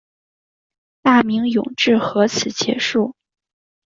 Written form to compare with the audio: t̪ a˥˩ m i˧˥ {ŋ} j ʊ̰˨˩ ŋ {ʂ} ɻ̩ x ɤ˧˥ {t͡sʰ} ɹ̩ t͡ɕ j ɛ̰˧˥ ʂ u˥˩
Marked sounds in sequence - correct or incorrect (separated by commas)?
correct, incorrect, correct